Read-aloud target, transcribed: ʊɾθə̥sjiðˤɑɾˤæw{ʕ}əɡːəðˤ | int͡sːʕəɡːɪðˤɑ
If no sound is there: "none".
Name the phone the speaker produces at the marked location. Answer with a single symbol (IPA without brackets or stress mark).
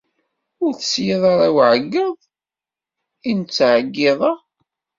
ʕ